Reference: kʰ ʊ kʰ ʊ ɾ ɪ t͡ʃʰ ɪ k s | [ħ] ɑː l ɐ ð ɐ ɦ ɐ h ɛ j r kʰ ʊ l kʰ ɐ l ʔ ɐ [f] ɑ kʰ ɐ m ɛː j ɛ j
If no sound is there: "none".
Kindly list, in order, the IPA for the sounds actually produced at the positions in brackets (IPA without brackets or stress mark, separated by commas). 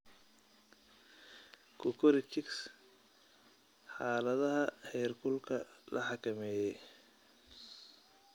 ħ, ħ